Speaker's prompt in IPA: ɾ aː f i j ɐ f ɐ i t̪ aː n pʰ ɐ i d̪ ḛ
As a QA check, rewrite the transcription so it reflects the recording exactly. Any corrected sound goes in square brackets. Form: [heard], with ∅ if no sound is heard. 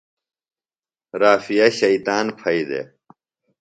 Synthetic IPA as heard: ɾ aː f i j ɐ [ɕ] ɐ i t̪ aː n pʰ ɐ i d̪ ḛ

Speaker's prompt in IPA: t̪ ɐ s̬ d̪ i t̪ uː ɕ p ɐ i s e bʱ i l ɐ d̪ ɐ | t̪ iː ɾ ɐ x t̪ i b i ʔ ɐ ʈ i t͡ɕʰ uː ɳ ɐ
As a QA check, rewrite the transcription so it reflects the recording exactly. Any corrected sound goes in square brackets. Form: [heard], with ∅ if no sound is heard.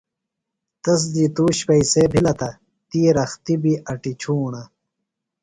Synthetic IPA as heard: t̪ ɐ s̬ d̪ i t̪ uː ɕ p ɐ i s e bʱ i l ɐ [t̪] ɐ | t̪ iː ɾ ɐ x t̪ i b i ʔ ɐ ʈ i t͡ɕʰ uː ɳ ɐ

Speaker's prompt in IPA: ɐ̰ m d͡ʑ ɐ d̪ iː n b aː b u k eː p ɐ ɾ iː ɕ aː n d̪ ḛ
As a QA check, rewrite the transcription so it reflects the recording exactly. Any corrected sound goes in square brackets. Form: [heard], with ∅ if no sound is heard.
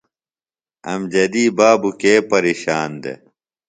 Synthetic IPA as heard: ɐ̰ m d͡ʑ ɐ d̪ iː [∅] b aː b u k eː p ɐ ɾ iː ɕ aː n d̪ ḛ

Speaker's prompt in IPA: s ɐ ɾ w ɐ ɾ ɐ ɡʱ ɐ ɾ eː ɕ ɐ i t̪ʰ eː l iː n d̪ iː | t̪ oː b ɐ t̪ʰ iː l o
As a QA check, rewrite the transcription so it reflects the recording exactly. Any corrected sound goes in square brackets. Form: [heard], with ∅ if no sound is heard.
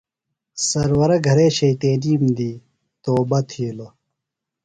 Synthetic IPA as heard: s ɐ ɾ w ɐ ɾ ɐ ɡʱ ɐ ɾ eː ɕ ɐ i [t̪] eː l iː [m] d̪ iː | t̪ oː b ɐ t̪ʰ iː l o

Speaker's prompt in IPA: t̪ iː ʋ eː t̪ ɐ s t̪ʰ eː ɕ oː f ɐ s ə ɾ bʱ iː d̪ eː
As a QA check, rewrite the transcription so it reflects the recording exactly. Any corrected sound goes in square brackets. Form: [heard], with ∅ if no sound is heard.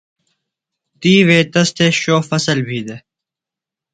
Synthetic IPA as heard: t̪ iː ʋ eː t̪ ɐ s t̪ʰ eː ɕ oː f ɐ s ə [l] bʱ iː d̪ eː

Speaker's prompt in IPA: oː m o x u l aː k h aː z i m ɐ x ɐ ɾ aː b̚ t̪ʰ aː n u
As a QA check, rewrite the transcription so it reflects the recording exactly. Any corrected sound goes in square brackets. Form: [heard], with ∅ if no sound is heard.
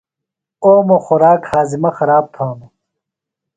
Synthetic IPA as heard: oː m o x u [ɾ] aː k h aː z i m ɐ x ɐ ɾ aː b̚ t̪ʰ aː n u

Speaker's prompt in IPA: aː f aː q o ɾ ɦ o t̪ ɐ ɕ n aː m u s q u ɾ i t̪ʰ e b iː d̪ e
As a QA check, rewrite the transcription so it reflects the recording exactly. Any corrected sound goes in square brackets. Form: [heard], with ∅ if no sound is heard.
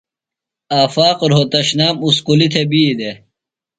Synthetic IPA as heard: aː f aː q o ɾ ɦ o t̪ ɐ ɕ n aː m u s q u [l] i t̪ʰ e b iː d̪ e

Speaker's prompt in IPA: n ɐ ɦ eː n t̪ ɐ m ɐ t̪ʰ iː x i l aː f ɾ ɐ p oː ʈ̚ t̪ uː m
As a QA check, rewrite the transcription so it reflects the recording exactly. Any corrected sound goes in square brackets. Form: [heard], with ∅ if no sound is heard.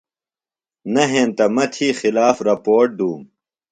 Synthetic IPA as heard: n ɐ ɦ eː n t̪ ɐ m ɐ t̪ʰ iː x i l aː f ɾ ɐ p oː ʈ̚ [d̪] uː m

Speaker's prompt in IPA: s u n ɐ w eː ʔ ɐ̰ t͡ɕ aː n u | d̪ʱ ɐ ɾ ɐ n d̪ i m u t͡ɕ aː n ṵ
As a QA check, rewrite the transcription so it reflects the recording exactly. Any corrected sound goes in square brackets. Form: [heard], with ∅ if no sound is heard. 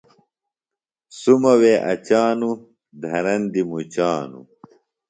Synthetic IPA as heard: s u [m] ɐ w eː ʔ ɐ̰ t͡ɕ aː n u | d̪ʱ ɐ ɾ ɐ n d̪ i m u t͡ɕ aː n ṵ

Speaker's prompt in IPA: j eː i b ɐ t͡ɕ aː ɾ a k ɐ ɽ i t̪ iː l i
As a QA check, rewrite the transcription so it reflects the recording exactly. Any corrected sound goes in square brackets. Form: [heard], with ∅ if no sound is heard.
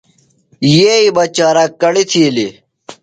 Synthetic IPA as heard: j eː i b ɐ t͡ɕ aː ɾ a k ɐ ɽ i [t̪ʰ] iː l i

